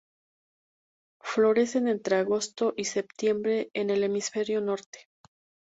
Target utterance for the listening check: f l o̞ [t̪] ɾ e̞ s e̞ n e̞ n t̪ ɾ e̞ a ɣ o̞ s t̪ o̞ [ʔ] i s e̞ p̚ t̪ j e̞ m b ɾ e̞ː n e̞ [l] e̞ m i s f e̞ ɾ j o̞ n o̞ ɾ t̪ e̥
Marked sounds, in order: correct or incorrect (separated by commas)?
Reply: incorrect, correct, correct